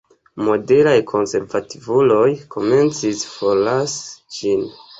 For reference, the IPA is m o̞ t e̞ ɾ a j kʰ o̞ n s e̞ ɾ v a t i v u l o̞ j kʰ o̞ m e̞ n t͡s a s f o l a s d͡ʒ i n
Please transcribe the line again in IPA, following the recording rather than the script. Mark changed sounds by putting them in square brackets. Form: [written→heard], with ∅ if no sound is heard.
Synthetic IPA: m o̞ [t→d] e̞ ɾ a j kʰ o̞ n s e̞ ɾ v a t i v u l o̞ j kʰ o̞ m e̞ n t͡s [a→i] s f o l a s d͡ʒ i n